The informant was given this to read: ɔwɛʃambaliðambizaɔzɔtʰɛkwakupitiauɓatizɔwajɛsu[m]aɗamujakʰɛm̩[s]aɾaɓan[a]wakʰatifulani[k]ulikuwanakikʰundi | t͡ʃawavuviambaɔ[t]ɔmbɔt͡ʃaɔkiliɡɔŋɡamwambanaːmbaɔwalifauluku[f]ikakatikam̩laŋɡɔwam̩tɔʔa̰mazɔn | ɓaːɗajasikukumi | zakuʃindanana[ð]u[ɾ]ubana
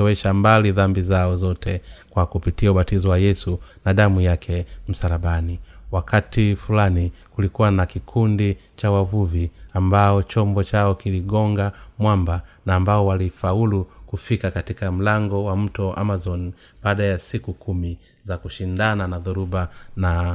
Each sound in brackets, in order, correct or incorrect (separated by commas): incorrect, correct, incorrect, correct, incorrect, correct, correct, correct